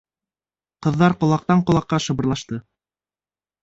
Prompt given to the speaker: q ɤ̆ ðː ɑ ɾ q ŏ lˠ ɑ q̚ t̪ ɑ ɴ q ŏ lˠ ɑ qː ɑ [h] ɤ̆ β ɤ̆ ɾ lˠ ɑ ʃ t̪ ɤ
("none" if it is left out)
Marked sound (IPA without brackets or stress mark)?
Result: ʃ